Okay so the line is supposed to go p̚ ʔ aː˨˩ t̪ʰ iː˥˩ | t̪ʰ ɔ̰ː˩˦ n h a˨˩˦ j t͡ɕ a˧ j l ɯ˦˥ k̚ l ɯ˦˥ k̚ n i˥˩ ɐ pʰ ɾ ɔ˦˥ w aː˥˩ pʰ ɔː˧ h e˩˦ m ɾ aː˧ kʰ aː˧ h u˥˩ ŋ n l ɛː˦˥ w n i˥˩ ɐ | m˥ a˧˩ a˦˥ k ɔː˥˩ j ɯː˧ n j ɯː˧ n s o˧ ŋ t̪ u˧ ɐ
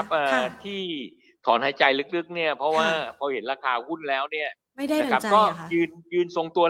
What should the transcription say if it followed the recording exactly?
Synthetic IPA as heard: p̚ ʔ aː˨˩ t̪ʰ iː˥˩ | t̪ʰ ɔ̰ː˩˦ n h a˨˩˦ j t͡ɕ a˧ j l ɯ˦˥ k̚ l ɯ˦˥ k̚ n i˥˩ ɐ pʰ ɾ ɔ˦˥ w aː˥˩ pʰ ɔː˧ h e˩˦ n ɾ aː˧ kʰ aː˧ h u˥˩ n l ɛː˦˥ w n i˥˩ ɐ | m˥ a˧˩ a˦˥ k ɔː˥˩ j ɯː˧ n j ɯː˧ n s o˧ ŋ t̪ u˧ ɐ